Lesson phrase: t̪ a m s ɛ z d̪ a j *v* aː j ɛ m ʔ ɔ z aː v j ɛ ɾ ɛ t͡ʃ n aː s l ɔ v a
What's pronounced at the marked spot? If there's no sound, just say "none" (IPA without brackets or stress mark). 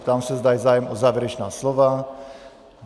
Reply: z